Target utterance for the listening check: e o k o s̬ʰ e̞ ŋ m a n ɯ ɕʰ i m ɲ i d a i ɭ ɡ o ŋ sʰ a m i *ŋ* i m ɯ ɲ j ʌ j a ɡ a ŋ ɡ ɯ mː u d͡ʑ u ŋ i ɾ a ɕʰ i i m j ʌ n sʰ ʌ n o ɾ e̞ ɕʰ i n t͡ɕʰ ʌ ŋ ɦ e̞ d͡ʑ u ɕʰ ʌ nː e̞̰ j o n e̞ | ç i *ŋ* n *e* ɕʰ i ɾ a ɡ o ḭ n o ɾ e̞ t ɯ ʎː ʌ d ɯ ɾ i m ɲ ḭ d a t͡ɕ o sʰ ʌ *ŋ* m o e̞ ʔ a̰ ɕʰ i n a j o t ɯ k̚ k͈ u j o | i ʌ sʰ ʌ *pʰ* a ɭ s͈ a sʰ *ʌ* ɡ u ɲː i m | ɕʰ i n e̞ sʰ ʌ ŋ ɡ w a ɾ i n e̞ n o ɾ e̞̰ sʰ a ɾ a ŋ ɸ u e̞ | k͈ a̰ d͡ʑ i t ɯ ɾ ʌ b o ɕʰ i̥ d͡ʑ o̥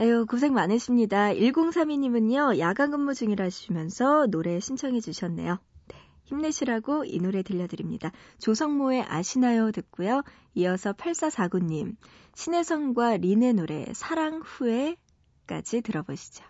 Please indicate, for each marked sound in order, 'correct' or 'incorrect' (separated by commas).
incorrect, incorrect, correct, correct, correct, incorrect